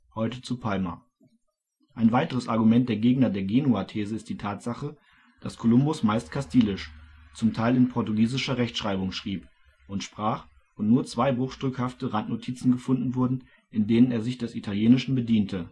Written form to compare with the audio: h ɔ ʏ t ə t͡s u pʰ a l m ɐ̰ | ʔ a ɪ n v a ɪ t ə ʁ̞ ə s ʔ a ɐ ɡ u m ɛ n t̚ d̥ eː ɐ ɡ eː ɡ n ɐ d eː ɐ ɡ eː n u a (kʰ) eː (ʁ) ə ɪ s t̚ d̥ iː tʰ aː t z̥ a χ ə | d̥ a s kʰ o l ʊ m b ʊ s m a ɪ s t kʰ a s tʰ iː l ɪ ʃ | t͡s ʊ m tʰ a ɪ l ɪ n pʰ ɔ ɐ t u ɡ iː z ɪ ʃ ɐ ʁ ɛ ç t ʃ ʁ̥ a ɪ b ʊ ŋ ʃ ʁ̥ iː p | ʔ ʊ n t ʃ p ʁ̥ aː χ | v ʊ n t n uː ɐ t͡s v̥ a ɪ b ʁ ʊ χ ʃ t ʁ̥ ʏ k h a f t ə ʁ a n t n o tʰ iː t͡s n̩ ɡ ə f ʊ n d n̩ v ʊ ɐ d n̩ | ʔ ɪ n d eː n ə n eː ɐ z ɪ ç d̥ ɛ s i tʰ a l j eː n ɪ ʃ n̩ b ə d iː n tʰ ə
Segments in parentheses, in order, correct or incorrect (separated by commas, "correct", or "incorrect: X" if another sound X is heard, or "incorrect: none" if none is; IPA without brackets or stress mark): incorrect: tʰ, incorrect: z